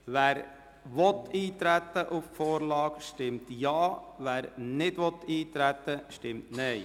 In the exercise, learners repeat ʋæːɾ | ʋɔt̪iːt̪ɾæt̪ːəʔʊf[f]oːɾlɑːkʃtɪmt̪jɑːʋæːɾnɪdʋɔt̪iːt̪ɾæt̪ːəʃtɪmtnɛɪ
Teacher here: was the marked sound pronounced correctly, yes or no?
yes